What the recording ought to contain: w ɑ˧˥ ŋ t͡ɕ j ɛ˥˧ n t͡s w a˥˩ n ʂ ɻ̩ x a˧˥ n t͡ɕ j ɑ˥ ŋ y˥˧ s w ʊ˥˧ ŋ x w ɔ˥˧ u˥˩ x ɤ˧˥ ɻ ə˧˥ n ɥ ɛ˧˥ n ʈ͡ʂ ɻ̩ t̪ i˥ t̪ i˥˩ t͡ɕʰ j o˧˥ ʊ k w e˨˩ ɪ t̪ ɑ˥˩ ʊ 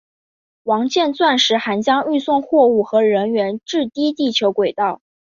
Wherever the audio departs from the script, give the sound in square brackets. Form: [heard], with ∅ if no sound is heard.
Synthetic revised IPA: w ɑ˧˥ ŋ t͡ɕ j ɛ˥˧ n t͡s w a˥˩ n ʂ ɻ̩ x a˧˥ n t͡ɕ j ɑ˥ ŋ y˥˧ s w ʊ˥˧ ŋ x w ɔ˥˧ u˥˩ x ɤ˧˥ ɻ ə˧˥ n ɥ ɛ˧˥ n ʈ͡ʂ ɻ̩ t̪ i˥ t̪ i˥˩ t͡ɕʰ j o˧˥ ʊ k w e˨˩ ɪ t̪ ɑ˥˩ ʊ